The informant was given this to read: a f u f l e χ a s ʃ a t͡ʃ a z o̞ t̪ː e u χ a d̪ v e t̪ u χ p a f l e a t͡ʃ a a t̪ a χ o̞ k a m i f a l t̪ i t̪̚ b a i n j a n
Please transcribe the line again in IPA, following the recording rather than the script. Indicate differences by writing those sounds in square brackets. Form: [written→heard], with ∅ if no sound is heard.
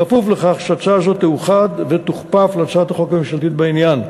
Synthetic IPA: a f u f l e χ a [s→χ] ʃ a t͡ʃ a z o̞ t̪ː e u χ a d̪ v e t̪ u χ p a f l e a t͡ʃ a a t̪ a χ o̞ k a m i [f→ʃ] a l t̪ i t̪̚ b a i n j a n

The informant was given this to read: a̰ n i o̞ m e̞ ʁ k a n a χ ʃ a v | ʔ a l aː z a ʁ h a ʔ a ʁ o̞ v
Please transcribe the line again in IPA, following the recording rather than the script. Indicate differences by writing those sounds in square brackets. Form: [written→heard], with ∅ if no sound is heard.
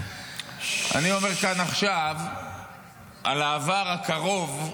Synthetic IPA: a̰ n i o̞ m e̞ ʁ k a n a χ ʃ a v | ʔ a l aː [z→v] a ʁ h a [ʔ→k] a ʁ o̞ v

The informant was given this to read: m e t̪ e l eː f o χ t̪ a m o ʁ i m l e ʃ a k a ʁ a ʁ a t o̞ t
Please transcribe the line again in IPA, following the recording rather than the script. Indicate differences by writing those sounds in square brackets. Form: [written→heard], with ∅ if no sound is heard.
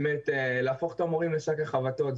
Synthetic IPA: m e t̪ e l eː f o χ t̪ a m o ʁ i m l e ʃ a k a [ʁ→χ] a [ʁ→v] a t o̞ t

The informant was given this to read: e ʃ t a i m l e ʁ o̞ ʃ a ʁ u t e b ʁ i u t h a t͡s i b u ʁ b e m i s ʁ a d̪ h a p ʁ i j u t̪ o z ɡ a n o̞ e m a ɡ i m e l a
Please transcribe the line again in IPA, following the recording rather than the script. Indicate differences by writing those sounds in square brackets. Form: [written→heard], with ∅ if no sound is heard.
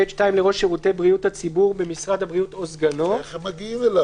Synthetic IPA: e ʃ t a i m l e ʁ o̞ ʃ [a→e] ʁ u t e b ʁ i u t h a t͡s i b u ʁ b e m i s ʁ a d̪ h a [p→b] ʁ i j u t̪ o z ɡ a n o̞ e m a ɡ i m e l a

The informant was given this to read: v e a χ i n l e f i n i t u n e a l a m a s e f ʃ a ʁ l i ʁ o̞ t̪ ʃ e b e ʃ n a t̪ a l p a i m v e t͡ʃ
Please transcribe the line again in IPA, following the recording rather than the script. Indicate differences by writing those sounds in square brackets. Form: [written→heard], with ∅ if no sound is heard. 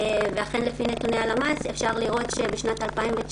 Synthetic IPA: v e a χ [i→e] n l e f i n [i→e] t u n e a l a m a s e f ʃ a ʁ l i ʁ o̞ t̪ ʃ e b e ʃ n a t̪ a l p a i m v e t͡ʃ

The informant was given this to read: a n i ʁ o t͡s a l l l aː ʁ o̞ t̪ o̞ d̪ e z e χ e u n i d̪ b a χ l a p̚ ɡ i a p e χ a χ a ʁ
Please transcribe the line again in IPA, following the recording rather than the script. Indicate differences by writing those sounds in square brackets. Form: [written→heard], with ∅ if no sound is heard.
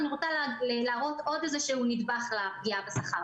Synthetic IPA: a n i ʁ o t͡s a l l l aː ʁ o̞ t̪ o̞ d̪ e z e [χ→ʃ] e u n i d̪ b a χ l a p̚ ɡ i a [p→b] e [χ→s] a χ a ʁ

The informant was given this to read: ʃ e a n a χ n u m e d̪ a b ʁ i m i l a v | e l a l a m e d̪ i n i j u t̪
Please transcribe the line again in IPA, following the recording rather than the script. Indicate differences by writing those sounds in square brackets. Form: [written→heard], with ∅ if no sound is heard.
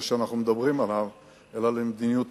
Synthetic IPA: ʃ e a n a χ n u m e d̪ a b ʁ i m [i→a] l a v | e l a l [a→e] m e d̪ i n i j u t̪

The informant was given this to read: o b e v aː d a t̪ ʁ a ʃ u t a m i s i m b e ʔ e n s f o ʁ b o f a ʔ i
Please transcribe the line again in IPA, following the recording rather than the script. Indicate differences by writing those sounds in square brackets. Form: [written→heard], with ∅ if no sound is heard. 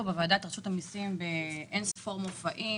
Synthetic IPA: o b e v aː d a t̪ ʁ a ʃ u t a m i s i m b e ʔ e n s f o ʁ [b→m] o f a ʔ i

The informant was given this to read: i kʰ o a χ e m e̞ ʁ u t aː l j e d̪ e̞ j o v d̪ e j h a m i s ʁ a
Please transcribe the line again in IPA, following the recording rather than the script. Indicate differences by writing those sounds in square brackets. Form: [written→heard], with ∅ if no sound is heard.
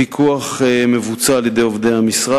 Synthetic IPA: i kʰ [o→u] a χ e m e̞ [ʁ→v] u [t→t͡s] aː l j e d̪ e̞ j o v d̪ e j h a m i s ʁ a

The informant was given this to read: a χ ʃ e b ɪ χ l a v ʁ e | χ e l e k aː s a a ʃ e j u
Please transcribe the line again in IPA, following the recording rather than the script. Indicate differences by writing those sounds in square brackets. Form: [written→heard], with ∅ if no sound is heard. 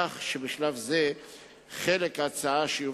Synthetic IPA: a χ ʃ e b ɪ [χ→ʃ] l a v [ʁ→z] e | χ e l e k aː [s→t͡s] a a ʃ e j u

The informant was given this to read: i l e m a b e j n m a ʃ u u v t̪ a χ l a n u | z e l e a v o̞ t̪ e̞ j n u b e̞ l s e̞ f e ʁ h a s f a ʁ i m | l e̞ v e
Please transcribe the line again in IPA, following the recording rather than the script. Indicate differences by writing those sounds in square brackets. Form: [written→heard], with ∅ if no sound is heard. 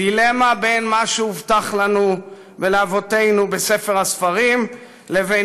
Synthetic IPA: i l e m a b e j n m a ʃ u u v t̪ a χ l a n u | [z→v] e l e a v o̞ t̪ e̞ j n u b e̞ [l→∅] s e̞ f e ʁ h a s f a ʁ i m | l e̞ v e

